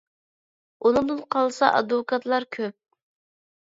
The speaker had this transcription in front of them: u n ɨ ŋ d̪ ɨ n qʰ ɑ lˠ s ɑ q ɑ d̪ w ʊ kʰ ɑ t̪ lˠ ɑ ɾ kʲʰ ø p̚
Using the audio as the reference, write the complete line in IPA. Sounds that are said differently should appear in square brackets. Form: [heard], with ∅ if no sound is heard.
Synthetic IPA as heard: u n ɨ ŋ d̪ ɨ n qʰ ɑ lˠ s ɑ [ʔ] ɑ d̪ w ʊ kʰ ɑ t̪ lˠ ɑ ɾ kʲʰ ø p̚

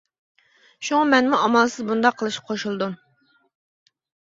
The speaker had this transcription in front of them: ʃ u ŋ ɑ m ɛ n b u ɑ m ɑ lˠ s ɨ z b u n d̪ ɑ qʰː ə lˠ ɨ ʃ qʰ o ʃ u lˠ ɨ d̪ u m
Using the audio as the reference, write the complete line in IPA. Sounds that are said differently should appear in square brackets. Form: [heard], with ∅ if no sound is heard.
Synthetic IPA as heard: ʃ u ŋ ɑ m ɛ n [m] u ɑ m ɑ lˠ s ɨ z b u n d̪ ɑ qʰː ə lˠ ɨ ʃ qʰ o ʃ u lˠ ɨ d̪ u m

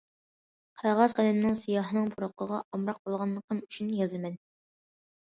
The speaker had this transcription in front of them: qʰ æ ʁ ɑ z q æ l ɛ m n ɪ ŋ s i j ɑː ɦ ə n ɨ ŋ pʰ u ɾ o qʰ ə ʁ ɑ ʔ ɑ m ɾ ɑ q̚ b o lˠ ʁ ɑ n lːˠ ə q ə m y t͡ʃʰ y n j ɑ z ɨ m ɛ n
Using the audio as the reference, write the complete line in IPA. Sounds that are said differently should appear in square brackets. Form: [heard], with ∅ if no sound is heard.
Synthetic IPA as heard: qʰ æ ʁ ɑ z q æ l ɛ m n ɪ ŋ s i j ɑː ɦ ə n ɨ ŋ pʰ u ɾ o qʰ ə ʁ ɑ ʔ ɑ m ɾ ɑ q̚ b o lˠ ʁ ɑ n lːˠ ə q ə m y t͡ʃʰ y n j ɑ z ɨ m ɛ n

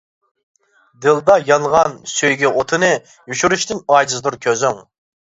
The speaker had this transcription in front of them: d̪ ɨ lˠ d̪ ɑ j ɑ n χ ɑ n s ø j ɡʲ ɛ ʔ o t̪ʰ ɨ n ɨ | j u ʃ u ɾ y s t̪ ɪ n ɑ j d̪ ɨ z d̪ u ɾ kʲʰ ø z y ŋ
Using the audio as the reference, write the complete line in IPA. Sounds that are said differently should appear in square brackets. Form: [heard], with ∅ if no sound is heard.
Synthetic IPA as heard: d̪ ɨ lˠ d̪ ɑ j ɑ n [ʁ] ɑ n s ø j ɡʲ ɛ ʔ o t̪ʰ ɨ n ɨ | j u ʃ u ɾ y [ʃ] t̪ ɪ n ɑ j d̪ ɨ z d̪ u ɾ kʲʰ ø z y ŋ

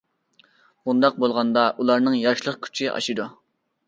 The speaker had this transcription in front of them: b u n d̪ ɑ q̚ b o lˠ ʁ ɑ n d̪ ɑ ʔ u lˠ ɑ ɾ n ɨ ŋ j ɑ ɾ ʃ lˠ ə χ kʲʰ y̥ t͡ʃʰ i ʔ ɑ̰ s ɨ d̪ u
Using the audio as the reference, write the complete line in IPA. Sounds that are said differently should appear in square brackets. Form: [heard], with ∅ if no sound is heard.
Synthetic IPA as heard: b u n d̪ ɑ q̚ b o lˠ ʁ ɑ n d̪ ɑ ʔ u lˠ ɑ ɾ n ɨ ŋ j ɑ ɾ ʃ lˠ ə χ kʲʰ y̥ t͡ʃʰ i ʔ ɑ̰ [ʃ] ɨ d̪ u

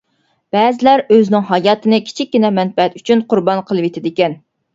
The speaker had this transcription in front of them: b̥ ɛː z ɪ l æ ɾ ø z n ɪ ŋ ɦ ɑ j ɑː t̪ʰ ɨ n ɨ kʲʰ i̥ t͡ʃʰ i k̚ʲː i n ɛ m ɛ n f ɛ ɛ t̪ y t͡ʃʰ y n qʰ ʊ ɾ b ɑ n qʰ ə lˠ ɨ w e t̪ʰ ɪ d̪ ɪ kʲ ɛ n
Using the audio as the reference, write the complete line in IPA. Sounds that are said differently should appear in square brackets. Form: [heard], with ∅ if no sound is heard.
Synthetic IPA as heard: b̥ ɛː z ɪ l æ ɾ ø z n ɪ ŋ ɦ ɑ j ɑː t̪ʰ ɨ n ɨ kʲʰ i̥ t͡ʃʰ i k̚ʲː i n ɛ m ɛ n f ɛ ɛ t̪ y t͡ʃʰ y n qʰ ʊ ɾ b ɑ n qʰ ə lˠ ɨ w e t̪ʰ ɪ d̪ ɪ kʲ ɛ n

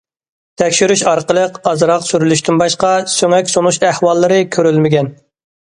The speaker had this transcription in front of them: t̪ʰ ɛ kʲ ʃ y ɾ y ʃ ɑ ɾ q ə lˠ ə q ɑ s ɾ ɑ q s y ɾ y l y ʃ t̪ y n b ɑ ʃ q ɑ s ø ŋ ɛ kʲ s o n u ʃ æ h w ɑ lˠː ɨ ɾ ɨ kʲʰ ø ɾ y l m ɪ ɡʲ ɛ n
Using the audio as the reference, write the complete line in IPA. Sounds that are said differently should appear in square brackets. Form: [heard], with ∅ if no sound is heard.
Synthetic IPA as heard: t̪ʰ ɛ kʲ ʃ y ɾ y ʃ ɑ ɾ q ə lˠ ə q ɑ [z] ɾ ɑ q s y ɾ y l y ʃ t̪ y n b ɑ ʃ q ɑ s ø ŋ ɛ kʲ s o n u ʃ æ h w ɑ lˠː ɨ ɾ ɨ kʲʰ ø ɾ y l m ɪ ɡʲ ɛ n

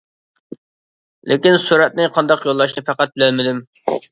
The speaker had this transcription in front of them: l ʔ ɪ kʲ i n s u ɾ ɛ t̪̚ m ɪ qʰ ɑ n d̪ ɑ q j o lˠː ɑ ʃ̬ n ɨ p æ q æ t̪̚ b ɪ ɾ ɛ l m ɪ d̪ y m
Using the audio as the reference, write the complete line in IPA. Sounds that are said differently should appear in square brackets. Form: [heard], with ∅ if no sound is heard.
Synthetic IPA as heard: l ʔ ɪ kʲ i n s u ɾ ɛ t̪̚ [n] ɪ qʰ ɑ n d̪ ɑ q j o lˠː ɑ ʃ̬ n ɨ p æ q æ t̪̚ b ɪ [l] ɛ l m ɪ d̪ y m

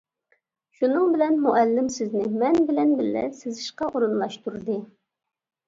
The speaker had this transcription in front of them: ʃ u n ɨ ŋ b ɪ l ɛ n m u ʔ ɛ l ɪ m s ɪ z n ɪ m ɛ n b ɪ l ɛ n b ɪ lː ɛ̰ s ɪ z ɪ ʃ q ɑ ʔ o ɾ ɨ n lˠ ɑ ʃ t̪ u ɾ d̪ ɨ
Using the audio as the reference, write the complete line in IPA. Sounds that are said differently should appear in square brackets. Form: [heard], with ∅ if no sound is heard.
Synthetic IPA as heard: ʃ u n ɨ ŋ b ɪ l ɛ n m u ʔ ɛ [lː] ɪ m s ɪ z n ɪ m ɛ n b ɪ l ɛ n b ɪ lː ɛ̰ s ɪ z ɪ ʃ q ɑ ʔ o ɾ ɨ n lˠ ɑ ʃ t̪ u ɾ d̪ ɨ

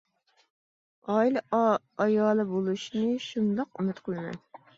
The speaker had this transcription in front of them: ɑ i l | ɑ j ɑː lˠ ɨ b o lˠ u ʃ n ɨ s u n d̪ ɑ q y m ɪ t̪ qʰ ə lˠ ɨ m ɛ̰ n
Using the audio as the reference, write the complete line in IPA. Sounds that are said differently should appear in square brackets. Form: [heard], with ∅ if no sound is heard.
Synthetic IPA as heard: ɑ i l | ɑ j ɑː lˠ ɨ b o lˠ u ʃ n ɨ [ʃ] u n d̪ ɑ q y m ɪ t̪ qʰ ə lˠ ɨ m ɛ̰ n

